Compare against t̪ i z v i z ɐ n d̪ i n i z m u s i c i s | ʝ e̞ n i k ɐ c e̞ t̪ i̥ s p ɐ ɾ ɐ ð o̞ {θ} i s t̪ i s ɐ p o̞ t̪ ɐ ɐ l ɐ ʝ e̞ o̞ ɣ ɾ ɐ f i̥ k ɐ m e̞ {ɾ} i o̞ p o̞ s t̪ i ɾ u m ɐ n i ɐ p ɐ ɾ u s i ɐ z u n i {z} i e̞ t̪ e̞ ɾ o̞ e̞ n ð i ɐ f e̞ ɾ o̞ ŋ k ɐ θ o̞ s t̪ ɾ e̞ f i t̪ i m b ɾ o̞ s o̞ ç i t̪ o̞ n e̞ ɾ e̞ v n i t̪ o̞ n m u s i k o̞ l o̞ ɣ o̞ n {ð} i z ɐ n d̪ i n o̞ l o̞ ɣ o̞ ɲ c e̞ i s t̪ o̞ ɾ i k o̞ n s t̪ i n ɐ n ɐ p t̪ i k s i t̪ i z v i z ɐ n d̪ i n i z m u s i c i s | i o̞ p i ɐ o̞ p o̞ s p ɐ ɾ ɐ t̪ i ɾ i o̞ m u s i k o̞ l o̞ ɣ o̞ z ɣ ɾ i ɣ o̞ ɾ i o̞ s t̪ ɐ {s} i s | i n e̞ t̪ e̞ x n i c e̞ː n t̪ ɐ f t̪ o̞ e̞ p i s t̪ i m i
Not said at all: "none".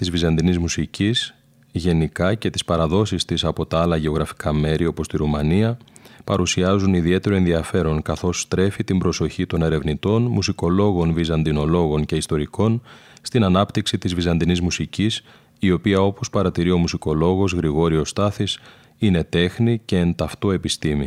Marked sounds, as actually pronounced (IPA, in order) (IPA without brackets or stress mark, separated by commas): s, ɾ, ð, v, θ